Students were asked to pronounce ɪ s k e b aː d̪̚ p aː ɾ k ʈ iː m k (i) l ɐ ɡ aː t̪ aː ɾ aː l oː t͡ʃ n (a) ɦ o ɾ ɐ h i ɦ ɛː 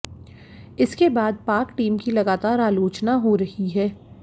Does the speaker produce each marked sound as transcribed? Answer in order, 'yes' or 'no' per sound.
yes, yes

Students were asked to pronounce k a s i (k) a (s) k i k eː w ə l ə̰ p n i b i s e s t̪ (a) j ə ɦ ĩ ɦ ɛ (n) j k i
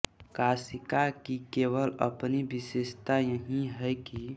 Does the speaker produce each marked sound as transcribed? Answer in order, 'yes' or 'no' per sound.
yes, no, yes, no

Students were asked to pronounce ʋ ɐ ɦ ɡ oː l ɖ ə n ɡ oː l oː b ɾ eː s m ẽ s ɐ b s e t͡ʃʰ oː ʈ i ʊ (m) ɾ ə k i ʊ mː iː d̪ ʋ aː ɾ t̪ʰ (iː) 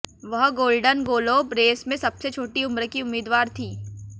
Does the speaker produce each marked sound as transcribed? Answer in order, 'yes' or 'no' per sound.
yes, yes

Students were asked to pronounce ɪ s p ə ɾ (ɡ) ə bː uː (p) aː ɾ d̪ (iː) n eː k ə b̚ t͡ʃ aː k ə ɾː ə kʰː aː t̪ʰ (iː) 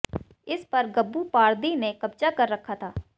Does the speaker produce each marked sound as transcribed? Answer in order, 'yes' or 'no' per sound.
yes, yes, yes, no

